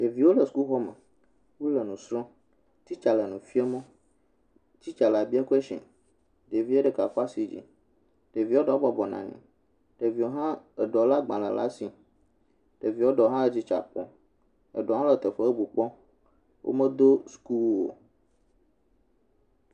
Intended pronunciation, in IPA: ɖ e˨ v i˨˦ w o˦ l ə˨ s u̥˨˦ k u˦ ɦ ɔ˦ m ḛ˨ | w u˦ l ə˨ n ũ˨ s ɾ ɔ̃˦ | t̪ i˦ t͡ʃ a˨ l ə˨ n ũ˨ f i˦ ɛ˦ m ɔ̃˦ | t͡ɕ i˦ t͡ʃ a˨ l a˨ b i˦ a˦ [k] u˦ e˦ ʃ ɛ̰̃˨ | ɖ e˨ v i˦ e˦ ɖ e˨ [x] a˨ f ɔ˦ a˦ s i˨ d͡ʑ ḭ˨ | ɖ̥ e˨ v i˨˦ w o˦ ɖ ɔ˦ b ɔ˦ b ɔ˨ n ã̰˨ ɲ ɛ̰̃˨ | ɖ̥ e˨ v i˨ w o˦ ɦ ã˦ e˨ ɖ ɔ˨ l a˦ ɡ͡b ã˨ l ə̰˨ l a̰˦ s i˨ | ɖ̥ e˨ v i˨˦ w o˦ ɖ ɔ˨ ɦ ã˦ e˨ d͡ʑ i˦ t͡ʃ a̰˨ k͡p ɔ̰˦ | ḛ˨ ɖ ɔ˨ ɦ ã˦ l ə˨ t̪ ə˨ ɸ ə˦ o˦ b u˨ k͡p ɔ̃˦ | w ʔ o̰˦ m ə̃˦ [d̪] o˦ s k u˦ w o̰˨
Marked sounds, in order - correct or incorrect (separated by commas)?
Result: correct, incorrect, correct